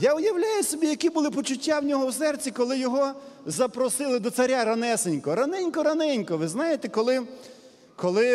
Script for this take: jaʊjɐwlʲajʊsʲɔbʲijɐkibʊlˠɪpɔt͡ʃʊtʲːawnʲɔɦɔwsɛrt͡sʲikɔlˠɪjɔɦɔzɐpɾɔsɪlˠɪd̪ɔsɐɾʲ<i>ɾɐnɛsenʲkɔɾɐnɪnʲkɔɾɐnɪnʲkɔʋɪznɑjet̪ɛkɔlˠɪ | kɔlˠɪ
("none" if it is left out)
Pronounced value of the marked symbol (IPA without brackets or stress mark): a